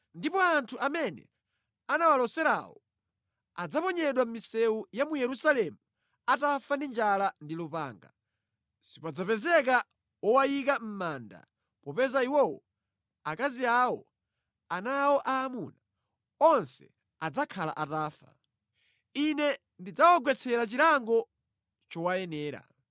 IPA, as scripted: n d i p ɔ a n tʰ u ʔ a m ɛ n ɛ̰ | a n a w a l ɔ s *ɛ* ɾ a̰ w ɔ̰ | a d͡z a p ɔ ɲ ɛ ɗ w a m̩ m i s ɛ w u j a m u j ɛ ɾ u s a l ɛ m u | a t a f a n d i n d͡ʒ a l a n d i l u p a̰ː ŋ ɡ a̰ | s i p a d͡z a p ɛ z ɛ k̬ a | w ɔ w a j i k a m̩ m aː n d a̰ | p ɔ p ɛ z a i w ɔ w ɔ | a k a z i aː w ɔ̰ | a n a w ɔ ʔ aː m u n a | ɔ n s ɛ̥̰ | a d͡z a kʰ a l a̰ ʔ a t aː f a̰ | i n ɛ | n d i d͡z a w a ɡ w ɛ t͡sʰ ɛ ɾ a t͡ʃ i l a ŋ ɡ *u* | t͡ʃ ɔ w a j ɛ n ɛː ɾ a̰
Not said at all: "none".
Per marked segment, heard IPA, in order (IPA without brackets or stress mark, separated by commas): ɛ, ɔ